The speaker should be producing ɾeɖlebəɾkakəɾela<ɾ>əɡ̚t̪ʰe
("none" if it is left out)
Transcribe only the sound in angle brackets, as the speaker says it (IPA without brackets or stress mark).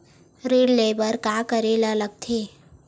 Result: l